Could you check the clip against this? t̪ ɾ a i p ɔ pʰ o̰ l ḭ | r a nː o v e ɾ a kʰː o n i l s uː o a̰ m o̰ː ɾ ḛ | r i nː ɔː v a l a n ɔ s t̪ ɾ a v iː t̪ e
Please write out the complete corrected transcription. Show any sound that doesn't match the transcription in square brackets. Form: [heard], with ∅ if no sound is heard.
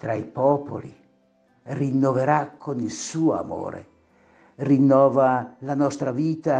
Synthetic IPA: t̪ ɾ a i p ɔ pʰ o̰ l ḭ | r [i] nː o v e ɾ a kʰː o n i l s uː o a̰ m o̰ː ɾ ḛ | r i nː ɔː v a l a n ɔ s t̪ ɾ a v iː t̪ [a]